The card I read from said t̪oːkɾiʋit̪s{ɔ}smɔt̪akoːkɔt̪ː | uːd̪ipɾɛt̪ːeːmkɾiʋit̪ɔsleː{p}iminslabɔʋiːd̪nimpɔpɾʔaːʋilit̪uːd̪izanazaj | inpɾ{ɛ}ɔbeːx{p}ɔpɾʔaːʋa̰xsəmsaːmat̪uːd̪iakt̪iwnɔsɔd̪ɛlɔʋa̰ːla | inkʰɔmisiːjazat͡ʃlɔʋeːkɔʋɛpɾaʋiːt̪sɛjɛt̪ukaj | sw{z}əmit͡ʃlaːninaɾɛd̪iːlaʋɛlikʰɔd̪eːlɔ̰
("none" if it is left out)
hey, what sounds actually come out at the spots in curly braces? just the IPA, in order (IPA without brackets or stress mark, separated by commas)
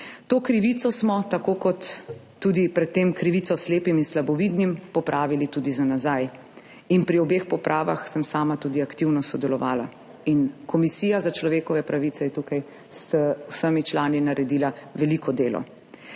ɔ, p, i, p, s